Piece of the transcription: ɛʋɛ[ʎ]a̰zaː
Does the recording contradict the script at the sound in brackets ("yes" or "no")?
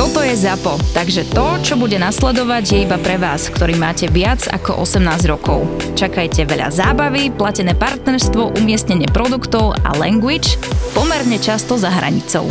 no